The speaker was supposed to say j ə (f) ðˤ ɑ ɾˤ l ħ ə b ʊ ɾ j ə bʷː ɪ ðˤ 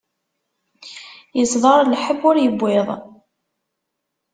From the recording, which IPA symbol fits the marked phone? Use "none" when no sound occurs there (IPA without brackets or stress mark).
s